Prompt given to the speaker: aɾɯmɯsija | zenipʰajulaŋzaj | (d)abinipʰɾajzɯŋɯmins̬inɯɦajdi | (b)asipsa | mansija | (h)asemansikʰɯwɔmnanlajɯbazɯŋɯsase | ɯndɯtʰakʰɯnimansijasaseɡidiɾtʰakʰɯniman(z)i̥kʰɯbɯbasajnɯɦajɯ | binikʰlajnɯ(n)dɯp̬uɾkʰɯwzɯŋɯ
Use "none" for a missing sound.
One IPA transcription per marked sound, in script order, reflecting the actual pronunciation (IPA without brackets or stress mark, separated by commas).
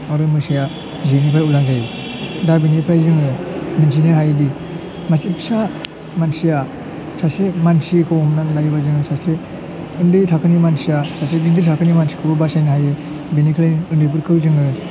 d, m, s, s, n